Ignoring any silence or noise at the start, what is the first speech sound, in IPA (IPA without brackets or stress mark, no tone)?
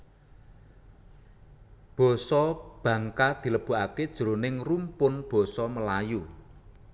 b̥